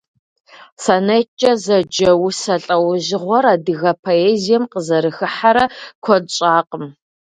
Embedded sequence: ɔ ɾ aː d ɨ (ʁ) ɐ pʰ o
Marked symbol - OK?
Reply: no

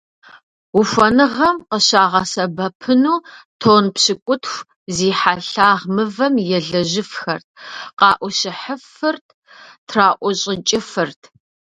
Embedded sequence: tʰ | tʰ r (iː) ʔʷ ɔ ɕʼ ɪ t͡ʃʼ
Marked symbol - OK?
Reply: no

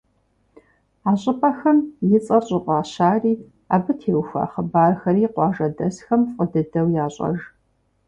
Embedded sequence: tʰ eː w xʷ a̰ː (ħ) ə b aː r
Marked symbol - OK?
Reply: no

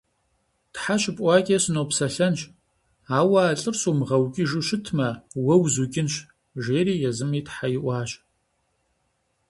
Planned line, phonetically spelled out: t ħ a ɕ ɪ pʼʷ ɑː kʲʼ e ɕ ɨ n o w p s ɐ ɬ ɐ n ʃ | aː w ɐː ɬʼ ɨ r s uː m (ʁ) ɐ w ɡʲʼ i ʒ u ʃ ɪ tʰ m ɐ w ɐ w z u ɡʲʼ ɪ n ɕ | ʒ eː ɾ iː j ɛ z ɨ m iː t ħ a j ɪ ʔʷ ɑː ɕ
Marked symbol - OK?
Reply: yes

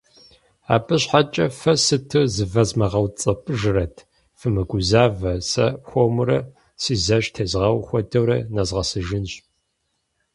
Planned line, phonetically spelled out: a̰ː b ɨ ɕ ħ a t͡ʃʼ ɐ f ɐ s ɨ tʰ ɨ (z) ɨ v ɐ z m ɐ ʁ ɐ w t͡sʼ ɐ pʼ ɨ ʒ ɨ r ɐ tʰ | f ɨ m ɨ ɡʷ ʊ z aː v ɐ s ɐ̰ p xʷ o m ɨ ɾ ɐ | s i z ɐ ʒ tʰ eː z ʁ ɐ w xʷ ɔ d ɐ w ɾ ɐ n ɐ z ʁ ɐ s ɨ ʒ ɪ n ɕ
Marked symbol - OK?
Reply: yes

